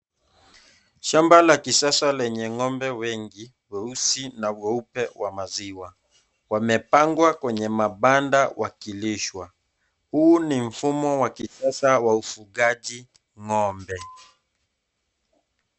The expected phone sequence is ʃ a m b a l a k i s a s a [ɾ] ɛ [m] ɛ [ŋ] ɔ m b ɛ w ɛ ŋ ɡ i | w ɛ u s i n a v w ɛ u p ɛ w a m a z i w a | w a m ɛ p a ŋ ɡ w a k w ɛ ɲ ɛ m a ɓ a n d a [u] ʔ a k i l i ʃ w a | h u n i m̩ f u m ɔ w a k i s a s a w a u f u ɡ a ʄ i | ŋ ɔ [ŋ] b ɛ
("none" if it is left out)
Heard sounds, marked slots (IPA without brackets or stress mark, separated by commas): l, ɲ, ŋ, w, m